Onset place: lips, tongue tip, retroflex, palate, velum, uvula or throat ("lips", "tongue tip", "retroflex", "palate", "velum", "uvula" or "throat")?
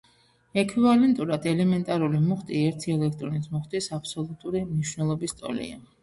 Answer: velum